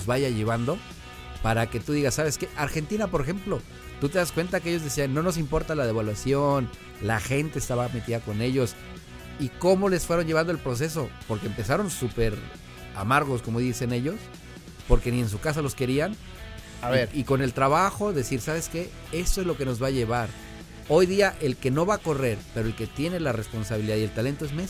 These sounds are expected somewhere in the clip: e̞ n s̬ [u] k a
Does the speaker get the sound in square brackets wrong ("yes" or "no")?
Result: no